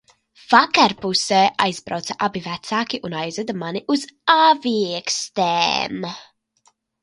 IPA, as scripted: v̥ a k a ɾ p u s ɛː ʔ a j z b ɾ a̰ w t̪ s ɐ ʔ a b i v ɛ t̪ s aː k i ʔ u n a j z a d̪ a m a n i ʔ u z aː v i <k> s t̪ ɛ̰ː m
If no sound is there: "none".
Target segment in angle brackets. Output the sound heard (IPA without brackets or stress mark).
k